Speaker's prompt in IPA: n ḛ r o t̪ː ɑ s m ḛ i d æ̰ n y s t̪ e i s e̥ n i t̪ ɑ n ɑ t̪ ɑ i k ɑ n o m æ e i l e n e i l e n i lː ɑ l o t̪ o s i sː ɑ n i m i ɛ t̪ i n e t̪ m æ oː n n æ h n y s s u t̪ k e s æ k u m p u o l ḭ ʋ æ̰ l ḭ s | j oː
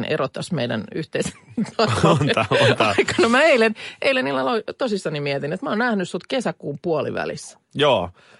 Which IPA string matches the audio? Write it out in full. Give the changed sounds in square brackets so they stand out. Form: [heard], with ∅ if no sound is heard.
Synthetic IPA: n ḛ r o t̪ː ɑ s m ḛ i d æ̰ n y [h] t̪ e i s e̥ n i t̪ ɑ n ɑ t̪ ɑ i k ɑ n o m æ e i l e n e i l e n i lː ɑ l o t̪ o s i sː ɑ n i m i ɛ t̪ i n e t̪ m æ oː n n æ h n y s s u t̪ k e s æ k [uː] m p u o l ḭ ʋ æ̰ l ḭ s | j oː